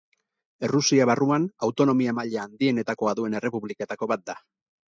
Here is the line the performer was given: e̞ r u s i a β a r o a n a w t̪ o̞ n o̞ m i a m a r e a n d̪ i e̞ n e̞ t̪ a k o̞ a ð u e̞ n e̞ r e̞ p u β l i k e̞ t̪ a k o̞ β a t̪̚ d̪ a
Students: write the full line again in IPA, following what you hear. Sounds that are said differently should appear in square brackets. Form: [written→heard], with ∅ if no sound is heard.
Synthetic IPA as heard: e̞ r u s i a β a r [o→u] a n a w t̪ o̞ n o̞ m i a m a [r→ʎ] e a n d̪ i e̞ n e̞ t̪ a k o̞ a ð u e̞ n e̞ r e̞ p u β l i k e̞ t̪ a k o̞ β a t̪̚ d̪ a